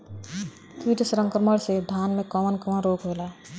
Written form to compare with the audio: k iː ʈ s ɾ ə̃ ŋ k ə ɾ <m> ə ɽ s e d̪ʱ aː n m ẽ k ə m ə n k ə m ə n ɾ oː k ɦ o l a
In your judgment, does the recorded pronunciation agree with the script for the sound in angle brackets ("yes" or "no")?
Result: yes